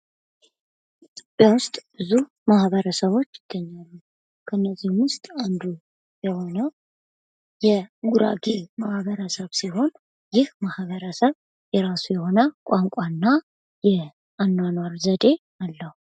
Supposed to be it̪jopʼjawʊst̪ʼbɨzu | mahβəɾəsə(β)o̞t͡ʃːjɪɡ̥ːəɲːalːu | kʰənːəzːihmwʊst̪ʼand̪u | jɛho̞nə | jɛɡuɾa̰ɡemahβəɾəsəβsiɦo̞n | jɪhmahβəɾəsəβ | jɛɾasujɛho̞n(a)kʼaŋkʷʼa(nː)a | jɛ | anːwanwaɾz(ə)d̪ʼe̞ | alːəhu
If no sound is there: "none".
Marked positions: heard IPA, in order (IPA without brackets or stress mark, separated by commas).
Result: β, ə, nː, ə